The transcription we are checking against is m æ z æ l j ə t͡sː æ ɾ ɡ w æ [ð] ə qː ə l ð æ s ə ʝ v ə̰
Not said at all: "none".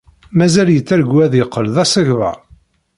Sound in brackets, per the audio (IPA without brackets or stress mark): ð